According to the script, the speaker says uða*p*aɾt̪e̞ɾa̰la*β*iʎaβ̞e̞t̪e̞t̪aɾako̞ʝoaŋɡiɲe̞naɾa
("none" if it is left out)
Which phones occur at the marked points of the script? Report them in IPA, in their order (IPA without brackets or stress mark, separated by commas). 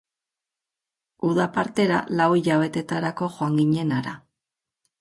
p, w